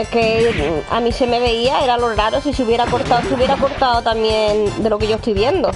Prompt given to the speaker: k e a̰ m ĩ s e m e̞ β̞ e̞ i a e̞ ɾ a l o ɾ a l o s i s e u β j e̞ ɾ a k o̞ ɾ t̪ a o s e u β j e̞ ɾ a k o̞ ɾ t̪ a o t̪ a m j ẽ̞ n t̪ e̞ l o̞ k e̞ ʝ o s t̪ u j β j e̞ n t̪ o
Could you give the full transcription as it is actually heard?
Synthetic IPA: k e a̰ m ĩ s e m e̞ β̞ e̞ i a e̞ ɾ a l o ɾ a ɾ o s i s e u β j e̞ ɾ a k o̞ ɾ t̪ a o s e u β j e̞ ɾ a k o̞ ɾ t̪ a o t̪ a m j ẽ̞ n d̪ e̞ l o̞ k e̞ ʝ o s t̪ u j β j e̞ n d̪ o

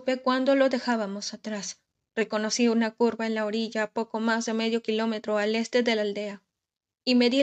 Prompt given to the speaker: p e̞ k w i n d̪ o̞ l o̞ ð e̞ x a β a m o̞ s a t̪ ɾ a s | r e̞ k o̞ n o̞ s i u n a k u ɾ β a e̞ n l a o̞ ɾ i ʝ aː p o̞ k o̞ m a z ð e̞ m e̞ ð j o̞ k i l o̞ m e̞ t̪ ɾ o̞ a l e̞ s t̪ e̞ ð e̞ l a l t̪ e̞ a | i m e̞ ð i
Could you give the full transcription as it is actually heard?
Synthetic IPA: p e̞ k w a n d̪ o̞ l o̞ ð e̞ x a β a m o̞ s a t̪ ɾ a s | r e̞ k o̞ n o̞ s i u n a k u ɾ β a e̞ n l a o̞ ɾ i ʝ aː p o̞ k o̞ m a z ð e̞ m e̞ ð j o̞ k i l o̞ m e̞ t̪ ɾ o̞ a l e̞ s t̪ e̞ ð e̞ l a l d̪ e̞ a | i m e̞ ð i

